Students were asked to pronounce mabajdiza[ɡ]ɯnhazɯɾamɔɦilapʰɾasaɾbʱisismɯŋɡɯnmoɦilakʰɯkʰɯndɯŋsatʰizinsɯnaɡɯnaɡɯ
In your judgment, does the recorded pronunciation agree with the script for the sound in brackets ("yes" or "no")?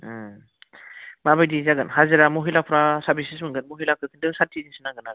yes